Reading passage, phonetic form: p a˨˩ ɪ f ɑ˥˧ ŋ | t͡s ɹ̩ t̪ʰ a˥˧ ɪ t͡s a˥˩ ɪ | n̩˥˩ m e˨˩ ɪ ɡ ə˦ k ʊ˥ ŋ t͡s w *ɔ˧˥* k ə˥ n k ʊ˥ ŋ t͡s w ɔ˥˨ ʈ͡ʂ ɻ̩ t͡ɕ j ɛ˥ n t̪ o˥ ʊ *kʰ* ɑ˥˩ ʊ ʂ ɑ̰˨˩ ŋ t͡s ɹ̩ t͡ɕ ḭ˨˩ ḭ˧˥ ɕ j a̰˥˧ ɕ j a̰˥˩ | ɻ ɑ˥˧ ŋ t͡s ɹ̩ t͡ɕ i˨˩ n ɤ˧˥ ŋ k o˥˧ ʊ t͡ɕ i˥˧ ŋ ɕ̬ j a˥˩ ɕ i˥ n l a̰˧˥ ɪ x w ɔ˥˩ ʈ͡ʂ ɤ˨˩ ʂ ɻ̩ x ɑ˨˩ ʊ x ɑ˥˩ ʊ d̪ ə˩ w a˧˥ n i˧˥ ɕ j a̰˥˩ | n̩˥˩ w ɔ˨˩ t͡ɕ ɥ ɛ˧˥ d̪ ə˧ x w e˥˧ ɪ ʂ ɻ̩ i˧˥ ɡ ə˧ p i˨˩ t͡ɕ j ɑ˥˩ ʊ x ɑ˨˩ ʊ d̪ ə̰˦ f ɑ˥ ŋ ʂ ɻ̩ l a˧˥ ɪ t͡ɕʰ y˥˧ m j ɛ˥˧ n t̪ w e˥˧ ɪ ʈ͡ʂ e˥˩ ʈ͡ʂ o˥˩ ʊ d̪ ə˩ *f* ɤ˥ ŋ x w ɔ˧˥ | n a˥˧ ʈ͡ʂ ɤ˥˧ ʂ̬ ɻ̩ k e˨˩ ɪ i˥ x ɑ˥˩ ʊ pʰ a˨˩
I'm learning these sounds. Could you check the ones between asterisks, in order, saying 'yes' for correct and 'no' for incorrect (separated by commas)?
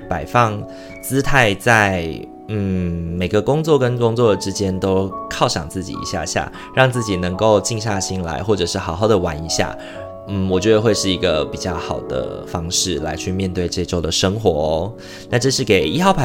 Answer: no, yes, no